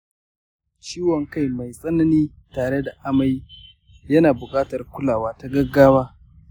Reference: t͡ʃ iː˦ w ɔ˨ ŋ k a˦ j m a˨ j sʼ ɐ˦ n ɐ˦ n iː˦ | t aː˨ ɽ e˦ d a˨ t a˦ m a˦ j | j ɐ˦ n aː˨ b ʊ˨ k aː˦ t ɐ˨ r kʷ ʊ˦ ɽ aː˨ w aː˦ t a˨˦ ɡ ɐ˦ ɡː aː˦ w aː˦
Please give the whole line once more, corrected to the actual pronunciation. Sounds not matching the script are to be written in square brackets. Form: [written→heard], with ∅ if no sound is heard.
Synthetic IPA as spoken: t͡ʃ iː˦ w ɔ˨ ŋ k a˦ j m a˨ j sʼ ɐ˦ n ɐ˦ n iː˦ | t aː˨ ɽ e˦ d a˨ [t→ʔ] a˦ m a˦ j | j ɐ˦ n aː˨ b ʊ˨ [k→kʼ] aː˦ t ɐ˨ r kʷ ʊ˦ [ɽ→l] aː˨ w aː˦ t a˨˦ ɡ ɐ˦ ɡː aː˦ w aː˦